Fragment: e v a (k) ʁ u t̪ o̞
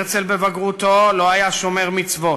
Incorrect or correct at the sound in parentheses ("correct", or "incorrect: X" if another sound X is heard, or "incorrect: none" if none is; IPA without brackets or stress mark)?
incorrect: ɡ